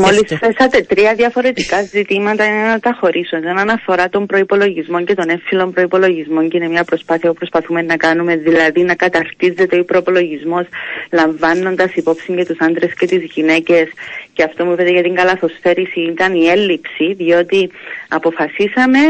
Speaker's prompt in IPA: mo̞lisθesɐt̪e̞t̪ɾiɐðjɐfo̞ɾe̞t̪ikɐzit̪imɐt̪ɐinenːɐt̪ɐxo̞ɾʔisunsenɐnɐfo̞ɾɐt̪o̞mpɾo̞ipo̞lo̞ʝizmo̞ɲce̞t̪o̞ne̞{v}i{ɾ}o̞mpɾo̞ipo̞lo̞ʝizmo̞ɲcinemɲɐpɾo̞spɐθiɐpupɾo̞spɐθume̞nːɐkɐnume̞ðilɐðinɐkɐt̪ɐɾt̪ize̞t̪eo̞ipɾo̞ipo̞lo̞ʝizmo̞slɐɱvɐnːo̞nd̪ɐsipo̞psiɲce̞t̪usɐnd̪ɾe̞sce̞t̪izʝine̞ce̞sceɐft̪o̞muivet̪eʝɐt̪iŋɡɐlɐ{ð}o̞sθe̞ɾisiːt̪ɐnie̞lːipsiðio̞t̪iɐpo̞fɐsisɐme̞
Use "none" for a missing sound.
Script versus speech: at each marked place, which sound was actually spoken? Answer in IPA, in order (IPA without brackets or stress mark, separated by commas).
f, l, θ